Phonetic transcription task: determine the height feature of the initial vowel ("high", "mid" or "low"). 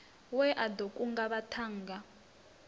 mid